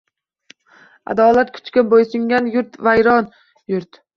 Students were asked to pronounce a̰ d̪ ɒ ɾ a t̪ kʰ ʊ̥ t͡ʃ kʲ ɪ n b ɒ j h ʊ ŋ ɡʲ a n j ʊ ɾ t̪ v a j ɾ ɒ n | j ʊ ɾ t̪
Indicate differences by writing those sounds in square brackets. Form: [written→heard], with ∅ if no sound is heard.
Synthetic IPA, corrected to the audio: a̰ d̪ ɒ [ɾ→l] a t̪ kʰ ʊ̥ t͡ʃ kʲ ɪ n b [ɒ→o] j [h→s] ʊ ŋ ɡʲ a n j ʊ ɾ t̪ v a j ɾ ɒ n | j ʊ ɾ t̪